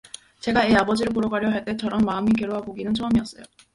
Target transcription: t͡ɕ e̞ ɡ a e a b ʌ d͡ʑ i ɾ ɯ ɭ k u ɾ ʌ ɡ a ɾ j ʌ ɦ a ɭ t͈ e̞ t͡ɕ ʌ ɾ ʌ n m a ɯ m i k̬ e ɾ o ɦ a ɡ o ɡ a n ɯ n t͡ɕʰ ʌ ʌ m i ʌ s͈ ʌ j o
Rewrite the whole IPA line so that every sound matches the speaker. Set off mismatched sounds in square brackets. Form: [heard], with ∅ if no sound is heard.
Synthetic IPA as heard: t͡ɕ e̞ ɡ a e a b ʌ d͡ʑ i ɾ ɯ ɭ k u ɾ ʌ ɡ a ɾ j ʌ ɦ a ɭ t͈ e̞ t͡ɕ ʌ ɾ ʌ n m a ɯ m i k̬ e ɾ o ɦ a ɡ o ɡ [i] n ɯ n t͡ɕʰ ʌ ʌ m i ʌ s͈ ʌ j o